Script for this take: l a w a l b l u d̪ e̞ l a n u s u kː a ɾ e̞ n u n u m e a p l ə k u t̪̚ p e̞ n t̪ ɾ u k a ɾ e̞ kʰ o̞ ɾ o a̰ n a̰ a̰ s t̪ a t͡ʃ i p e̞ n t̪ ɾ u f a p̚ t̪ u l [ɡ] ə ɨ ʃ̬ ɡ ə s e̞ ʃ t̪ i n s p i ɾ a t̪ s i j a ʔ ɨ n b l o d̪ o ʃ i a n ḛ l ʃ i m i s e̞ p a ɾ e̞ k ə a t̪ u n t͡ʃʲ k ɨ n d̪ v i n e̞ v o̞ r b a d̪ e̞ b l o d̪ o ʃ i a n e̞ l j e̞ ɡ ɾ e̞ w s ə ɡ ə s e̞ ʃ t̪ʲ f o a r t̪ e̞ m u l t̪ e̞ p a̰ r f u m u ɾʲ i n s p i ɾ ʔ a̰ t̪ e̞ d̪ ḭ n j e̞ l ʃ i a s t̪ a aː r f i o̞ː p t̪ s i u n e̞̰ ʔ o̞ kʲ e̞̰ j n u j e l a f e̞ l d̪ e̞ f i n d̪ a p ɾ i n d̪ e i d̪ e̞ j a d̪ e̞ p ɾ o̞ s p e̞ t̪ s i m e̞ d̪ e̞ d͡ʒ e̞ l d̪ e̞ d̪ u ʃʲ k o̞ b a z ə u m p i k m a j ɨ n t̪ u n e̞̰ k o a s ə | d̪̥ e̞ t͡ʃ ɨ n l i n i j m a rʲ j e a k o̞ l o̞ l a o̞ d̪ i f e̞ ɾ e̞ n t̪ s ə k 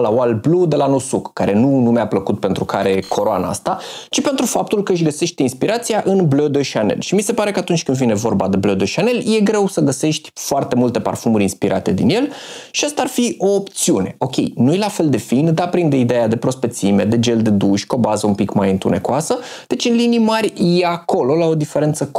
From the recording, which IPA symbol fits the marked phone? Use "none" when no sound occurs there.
k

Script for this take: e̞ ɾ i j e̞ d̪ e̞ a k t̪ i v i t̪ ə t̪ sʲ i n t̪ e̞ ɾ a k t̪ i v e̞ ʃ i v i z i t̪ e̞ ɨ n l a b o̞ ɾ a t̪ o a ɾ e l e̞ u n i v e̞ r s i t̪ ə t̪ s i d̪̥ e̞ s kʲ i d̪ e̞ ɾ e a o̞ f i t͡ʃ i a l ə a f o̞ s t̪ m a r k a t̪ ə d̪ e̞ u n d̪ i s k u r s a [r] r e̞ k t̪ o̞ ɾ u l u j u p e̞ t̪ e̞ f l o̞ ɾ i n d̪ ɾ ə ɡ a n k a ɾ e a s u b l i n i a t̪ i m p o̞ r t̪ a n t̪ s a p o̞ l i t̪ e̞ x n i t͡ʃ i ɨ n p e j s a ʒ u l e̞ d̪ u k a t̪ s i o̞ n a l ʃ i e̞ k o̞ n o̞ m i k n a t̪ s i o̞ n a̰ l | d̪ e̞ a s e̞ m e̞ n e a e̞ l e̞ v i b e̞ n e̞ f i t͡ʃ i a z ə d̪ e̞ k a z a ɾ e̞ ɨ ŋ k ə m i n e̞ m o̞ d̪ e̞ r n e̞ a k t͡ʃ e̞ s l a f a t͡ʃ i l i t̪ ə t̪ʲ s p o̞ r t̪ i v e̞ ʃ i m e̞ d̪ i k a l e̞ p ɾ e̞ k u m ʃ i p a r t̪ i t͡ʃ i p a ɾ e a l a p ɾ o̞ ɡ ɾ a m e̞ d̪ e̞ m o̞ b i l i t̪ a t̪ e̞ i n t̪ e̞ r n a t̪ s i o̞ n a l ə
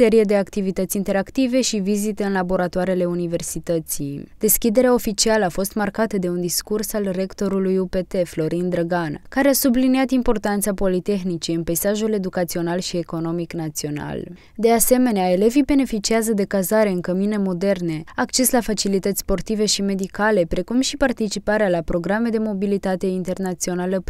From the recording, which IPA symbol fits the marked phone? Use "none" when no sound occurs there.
l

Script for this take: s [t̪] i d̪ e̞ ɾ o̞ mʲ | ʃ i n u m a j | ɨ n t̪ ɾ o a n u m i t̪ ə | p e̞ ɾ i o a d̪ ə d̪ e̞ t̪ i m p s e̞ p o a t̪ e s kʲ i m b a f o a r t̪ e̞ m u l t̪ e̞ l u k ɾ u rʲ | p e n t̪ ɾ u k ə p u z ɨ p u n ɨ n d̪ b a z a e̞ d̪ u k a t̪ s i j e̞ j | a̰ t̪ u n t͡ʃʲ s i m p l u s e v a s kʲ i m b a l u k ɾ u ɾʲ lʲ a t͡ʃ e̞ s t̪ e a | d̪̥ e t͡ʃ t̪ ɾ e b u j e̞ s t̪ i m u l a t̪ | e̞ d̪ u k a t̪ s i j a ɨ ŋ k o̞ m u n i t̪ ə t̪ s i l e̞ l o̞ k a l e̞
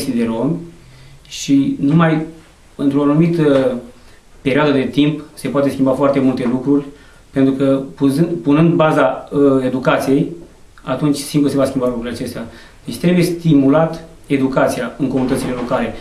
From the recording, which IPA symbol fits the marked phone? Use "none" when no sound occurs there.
t̪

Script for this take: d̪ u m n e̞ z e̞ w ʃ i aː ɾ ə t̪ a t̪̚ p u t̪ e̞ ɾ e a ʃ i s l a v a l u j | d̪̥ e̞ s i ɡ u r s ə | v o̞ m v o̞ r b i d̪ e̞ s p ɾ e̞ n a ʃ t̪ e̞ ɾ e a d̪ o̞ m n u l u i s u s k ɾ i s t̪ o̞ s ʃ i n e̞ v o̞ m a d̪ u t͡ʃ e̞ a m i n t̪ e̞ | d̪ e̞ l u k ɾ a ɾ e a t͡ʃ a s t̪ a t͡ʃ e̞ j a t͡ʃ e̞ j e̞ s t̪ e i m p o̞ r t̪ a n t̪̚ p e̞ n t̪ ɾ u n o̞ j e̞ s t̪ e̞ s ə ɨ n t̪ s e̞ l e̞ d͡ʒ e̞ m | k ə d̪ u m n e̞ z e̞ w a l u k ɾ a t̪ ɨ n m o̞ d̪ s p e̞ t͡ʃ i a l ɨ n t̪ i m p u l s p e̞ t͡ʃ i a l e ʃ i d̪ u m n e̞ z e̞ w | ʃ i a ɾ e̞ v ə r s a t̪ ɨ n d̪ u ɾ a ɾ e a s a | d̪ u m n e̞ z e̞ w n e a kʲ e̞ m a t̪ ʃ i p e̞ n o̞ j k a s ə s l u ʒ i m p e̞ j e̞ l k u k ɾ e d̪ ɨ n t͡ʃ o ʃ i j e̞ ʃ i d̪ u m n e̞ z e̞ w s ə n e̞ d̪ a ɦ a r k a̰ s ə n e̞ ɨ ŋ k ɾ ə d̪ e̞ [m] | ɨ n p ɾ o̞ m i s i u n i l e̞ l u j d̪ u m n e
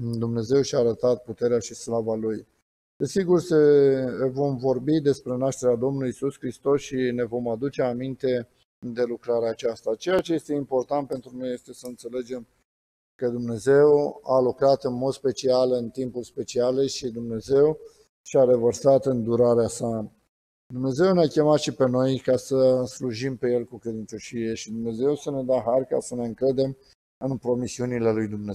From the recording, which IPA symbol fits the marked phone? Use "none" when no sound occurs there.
m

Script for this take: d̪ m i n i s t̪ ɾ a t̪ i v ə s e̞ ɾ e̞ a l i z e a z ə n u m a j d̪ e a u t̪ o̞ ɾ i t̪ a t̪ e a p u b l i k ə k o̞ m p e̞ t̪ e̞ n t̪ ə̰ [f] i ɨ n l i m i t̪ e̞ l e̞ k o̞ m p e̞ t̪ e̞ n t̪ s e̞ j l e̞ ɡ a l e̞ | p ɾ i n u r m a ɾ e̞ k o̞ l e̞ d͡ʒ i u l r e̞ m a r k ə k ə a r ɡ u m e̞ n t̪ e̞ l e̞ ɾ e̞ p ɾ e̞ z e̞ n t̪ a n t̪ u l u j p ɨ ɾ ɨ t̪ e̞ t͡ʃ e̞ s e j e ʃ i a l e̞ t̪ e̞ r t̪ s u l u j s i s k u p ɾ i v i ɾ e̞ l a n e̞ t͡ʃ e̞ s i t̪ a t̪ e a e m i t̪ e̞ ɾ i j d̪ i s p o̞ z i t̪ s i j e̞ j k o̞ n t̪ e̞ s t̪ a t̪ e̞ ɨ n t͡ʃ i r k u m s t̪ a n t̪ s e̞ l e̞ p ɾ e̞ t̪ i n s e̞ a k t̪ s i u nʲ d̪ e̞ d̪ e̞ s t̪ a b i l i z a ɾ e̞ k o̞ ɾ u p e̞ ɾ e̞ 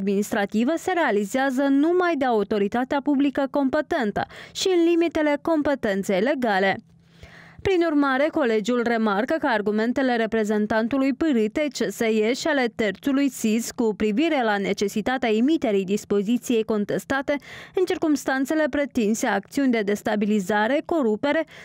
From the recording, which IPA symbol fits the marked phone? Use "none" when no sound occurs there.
ʃ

